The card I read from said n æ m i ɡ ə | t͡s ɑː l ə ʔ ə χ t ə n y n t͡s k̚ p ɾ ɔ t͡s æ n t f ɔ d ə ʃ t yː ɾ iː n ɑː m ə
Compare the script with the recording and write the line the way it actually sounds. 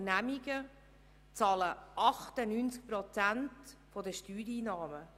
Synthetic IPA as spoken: n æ m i ɡ ə | t͡s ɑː l ə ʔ ɑ χ t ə n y n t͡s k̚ p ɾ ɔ t͡s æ n t f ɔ d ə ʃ t yː ɾ iː n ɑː m ə